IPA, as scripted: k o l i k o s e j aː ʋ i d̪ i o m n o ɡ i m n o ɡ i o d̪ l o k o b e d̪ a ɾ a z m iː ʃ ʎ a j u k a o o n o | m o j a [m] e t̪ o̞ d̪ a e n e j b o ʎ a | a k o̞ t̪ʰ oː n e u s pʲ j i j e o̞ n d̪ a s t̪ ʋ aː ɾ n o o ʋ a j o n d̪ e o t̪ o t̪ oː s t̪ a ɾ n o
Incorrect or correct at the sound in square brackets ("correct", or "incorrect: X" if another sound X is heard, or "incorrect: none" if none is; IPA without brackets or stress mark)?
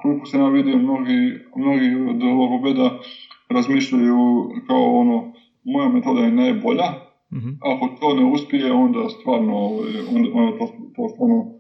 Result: correct